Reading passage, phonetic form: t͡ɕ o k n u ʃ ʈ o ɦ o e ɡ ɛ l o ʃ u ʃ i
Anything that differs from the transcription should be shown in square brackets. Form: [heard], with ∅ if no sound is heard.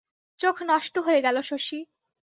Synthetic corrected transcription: t͡ɕ o [kʰ] n [ɔ] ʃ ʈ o ɦ o e ɡ ɛ l o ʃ [o] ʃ i